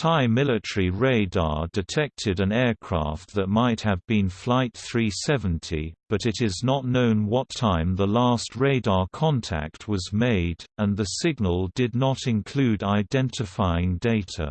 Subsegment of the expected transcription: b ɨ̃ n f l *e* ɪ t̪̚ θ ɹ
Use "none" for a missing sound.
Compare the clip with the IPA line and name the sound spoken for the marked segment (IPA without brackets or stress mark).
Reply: a